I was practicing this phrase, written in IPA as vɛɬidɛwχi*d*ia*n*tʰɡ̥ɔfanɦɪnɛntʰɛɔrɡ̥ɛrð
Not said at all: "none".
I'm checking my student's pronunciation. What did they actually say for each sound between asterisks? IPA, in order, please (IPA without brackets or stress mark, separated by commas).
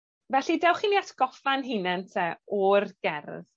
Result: n, none